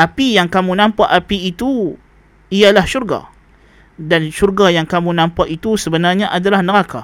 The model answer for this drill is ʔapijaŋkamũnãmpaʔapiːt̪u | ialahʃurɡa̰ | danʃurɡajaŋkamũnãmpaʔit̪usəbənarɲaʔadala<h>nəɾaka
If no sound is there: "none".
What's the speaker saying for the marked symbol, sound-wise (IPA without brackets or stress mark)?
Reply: h